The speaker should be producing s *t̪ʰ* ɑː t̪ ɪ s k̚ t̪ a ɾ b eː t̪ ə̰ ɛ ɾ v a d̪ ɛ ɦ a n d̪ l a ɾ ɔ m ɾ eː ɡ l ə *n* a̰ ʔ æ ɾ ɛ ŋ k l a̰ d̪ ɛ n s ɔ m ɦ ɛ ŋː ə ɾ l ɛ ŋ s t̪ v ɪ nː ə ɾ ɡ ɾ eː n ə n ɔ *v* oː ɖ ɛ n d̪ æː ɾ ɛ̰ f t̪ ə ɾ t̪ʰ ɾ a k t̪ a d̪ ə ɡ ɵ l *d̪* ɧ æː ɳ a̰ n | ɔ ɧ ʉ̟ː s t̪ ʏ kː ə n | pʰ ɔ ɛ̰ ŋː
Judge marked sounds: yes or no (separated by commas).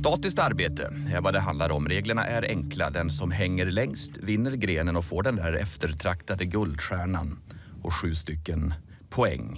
no, no, no, yes